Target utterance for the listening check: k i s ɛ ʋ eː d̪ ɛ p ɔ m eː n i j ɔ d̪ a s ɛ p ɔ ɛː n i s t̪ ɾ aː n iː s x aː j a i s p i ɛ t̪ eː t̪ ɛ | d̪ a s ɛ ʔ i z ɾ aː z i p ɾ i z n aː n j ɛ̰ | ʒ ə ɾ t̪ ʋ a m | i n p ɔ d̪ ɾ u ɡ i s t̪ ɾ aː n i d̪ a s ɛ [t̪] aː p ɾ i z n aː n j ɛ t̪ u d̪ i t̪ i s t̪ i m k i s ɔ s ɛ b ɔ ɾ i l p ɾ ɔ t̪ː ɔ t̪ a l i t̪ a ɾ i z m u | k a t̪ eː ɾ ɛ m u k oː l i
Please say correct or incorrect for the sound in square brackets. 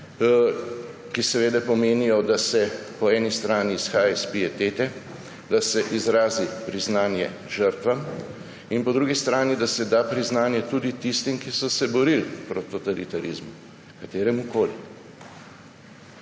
incorrect